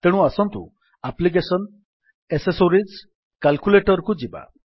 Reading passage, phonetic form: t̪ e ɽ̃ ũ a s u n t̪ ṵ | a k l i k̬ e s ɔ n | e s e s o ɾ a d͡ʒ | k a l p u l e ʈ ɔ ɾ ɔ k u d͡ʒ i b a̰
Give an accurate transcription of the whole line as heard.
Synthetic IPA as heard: t̪ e ɽ̃ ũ a s ɔ n t̪ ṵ | a p l i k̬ e s ɔ n | e s e s o ɾ i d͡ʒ | k a l k u l e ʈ ɔ ɾ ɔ k u d͡ʒ i b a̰